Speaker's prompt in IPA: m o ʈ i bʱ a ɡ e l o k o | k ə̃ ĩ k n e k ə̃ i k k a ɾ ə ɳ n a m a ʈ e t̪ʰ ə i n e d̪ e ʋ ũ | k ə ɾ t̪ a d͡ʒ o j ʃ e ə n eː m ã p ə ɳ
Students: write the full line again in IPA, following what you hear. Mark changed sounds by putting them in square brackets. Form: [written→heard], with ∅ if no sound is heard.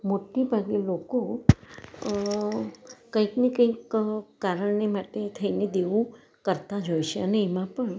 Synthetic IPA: m o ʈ i bʱ a ɡ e l o k o | k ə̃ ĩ k n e k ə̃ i k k a ɾ ə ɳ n [a→e] m a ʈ e t̪ʰ ə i n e d̪ e ʋ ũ | k ə ɾ t̪ a d͡ʒ o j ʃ e ə n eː m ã p ə ɳ

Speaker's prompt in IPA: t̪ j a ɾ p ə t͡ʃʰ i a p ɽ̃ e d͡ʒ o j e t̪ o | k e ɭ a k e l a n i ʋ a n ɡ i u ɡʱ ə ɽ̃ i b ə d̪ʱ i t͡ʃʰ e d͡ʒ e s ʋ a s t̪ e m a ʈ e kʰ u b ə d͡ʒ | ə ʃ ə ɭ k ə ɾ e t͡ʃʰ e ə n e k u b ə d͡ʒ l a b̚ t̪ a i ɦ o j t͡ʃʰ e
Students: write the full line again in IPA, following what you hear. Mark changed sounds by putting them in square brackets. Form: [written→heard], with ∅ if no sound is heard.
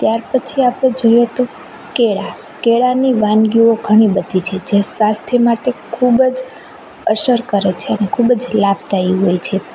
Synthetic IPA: t̪ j a ɾ p ə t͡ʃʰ i a p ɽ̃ e d͡ʒ o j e t̪ o | k e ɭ a k e [l→ɭ] a n i ʋ a n ɡ i [u→o] ɡʱ ə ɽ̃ i b ə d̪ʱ i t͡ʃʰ e d͡ʒ e s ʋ a s [t̪→t̪ʰ] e m a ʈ e kʰ u b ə d͡ʒ | ə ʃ ə [ɭ→ɾ] k ə ɾ e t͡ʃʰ e ə n e [k→kʰ] u b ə d͡ʒ l a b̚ t̪ a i ɦ o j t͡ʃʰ e

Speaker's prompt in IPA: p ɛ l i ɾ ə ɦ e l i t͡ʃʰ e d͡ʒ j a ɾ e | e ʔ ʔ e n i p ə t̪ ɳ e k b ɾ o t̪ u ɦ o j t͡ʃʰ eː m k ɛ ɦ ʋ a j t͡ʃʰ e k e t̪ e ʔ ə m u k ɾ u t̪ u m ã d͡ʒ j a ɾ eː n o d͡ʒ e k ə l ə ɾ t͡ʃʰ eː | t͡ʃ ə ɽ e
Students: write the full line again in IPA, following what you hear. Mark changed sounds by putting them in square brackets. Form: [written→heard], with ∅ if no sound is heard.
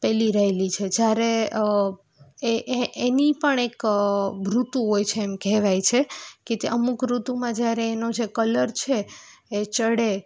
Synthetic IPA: p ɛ l i ɾ ə ɦ e l i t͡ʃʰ e d͡ʒ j a ɾ e | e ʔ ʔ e n i p ə [t̪→∅] ɳ e k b ɾ [o→u] t̪ u ɦ o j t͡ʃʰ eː m k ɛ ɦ ʋ a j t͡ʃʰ e k e t̪ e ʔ ə m u k ɾ u t̪ u m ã d͡ʒ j a ɾ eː n o d͡ʒ e k ə l ə ɾ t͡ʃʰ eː | t͡ʃ ə ɽ e

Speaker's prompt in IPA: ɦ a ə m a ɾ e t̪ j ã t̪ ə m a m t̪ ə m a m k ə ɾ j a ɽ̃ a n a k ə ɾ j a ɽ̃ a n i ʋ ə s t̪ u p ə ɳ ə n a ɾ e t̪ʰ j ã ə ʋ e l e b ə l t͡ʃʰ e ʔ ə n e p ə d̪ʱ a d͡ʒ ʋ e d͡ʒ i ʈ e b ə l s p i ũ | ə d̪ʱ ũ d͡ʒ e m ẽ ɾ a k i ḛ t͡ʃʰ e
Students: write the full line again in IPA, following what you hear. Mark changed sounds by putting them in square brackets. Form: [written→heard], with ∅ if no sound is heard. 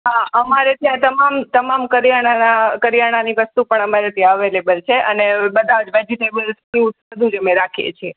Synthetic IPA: ɦ a ə m a ɾ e t̪ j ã t̪ ə m a m t̪ ə m a m k ə ɾ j a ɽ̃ a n a k ə ɾ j a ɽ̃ a n i ʋ ə s t̪ u p ə ɳ ə [n→m] a ɾ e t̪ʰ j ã ə ʋ e l e b ə l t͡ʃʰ e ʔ ə n e [p→b] ə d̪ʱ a d͡ʒ ʋ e d͡ʒ i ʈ e b ə l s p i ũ | ə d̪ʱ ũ d͡ʒ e m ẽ ɾ a [k→kʰ] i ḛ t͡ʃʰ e

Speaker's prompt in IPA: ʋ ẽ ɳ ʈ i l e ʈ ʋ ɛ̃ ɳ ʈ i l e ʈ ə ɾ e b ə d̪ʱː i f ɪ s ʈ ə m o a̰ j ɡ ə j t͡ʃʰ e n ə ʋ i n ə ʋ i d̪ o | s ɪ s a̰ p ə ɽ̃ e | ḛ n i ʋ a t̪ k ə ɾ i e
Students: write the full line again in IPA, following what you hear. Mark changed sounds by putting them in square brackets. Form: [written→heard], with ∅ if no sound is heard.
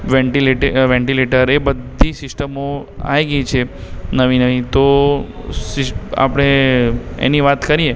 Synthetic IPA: ʋ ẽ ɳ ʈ i l e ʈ ʋ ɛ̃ ɳ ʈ i l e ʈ ə ɾ e b ə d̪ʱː i [f→s] ɪ s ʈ ə m o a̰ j ɡ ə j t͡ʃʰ e n ə ʋ i n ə ʋ i [d̪→t̪] o | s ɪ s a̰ p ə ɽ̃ e | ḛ n i ʋ a t̪ k ə ɾ i e

